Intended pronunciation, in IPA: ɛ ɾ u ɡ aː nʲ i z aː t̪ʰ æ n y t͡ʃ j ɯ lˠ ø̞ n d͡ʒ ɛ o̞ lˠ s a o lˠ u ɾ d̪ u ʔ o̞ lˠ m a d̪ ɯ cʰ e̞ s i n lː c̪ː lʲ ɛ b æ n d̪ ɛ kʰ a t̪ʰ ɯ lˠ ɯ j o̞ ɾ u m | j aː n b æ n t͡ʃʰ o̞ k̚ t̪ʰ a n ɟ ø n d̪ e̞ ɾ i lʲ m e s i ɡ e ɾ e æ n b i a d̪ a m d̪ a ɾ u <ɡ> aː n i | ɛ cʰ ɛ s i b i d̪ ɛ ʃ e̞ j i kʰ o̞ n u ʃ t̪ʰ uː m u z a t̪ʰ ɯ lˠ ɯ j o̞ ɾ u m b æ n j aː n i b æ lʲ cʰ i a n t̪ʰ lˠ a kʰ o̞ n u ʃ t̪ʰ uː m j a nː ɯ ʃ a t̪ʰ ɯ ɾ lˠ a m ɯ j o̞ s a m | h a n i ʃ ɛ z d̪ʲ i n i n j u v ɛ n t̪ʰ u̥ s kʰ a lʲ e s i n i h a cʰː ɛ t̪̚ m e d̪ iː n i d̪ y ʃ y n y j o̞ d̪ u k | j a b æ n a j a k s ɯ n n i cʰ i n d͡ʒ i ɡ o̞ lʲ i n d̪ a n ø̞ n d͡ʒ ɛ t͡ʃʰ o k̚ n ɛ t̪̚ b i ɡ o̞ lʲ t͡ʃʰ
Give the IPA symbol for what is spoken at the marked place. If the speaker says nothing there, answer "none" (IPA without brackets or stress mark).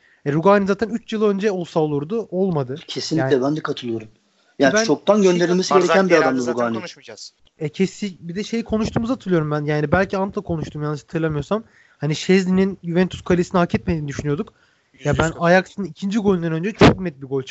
ɡ